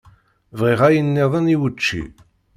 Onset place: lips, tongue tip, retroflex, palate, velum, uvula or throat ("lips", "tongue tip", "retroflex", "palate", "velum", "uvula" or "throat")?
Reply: lips